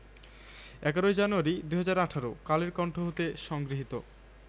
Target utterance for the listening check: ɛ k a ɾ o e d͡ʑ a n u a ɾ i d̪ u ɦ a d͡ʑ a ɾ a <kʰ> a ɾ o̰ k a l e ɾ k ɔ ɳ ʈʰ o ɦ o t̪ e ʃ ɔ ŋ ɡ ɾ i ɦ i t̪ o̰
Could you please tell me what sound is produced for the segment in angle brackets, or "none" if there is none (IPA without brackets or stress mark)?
ʈʰ